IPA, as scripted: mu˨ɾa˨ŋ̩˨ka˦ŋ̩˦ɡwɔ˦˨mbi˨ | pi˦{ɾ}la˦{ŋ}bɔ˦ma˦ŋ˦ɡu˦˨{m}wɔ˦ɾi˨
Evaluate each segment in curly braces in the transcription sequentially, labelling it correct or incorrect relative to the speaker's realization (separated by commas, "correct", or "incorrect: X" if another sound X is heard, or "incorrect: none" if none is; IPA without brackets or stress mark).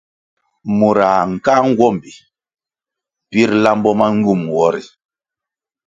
correct, incorrect: m, correct